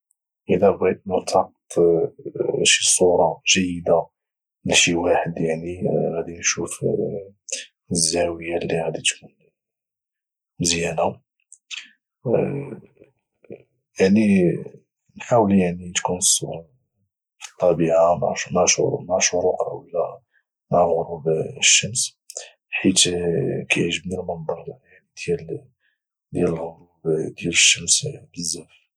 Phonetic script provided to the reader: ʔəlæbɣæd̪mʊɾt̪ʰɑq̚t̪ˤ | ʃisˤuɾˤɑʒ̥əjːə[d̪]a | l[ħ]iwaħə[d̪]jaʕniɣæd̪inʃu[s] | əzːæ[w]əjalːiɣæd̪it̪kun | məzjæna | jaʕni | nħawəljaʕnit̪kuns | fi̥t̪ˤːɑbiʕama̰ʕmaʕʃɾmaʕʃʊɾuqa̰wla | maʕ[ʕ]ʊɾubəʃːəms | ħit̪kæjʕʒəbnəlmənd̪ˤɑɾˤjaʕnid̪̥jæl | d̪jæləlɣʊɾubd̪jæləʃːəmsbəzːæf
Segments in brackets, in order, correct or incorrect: correct, incorrect, correct, incorrect, correct, incorrect

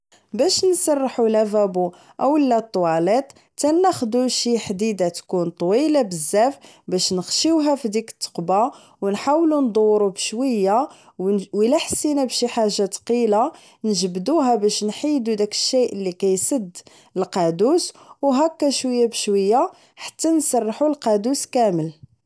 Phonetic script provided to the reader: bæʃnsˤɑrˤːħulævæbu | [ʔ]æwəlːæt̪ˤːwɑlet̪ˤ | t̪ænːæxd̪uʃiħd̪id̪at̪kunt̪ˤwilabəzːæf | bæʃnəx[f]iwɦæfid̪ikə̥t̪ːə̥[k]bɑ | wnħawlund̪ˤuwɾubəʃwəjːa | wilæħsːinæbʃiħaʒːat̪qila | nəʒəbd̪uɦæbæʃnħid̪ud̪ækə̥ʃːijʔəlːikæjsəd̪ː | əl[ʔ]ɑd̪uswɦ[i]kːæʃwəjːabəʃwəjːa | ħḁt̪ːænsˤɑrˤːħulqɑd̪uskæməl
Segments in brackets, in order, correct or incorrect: correct, incorrect, incorrect, incorrect, incorrect

